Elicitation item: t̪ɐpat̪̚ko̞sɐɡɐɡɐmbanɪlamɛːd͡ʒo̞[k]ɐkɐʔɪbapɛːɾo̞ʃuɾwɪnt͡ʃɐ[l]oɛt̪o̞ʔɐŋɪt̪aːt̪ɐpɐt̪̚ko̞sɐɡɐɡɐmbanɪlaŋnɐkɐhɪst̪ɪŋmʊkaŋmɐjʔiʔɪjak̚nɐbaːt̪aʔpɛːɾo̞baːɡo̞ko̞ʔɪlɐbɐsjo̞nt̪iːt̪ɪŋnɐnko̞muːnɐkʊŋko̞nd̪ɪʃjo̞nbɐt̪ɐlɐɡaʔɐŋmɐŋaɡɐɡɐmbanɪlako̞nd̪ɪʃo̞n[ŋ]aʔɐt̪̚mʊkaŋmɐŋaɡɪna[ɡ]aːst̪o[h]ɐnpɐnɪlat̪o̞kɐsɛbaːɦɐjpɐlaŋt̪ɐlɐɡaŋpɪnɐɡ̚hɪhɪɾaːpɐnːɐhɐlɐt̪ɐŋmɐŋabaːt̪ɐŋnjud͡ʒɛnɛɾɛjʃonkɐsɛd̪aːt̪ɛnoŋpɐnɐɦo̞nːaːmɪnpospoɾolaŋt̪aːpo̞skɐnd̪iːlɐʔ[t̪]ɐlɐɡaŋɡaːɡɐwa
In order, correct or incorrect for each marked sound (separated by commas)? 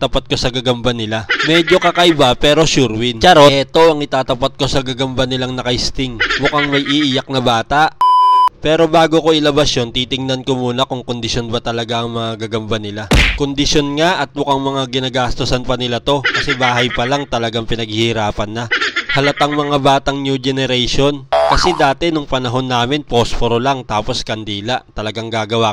correct, incorrect, correct, correct, incorrect, correct